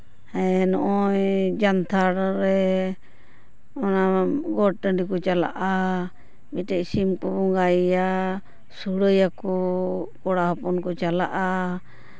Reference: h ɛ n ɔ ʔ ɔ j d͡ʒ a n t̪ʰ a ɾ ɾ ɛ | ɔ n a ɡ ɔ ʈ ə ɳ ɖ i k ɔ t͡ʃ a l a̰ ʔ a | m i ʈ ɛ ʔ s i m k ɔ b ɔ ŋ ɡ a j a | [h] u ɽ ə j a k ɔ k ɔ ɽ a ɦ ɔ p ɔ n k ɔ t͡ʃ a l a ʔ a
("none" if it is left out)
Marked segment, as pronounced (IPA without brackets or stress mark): s